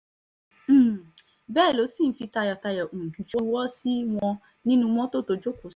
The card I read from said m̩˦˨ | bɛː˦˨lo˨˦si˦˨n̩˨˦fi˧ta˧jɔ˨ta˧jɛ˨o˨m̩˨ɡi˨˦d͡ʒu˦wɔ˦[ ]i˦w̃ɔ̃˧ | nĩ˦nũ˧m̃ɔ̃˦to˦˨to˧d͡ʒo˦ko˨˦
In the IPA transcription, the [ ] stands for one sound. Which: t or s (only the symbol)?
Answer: s